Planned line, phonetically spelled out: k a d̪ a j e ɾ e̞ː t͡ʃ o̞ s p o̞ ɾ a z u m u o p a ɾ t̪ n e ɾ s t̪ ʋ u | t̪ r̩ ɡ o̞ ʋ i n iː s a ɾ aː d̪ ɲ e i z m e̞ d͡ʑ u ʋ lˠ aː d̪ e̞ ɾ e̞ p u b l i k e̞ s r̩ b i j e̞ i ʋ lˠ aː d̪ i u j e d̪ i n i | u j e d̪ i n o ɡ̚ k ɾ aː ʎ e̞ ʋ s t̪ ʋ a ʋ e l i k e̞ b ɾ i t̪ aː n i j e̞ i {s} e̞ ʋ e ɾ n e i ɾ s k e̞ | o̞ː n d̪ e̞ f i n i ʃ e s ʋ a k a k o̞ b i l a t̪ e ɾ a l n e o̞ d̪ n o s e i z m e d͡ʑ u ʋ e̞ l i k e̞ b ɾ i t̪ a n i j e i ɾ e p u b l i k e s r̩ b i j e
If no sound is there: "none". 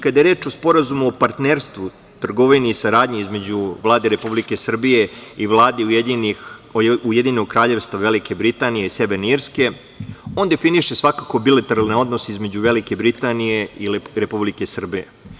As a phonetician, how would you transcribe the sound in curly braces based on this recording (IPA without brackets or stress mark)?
s